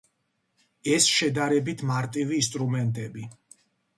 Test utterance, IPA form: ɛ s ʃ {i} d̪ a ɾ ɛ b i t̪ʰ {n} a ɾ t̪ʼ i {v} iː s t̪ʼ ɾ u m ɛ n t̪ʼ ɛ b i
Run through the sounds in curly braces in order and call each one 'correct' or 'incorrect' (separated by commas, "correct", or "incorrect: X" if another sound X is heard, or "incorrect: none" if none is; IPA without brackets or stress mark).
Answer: incorrect: ɛ, incorrect: m, correct